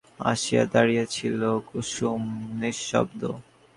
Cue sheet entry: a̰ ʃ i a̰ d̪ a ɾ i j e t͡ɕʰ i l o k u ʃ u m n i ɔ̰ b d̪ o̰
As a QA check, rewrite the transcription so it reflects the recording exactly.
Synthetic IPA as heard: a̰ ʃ i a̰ d̪ a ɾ i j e t͡ɕʰ i l o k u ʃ u m n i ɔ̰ b d̪ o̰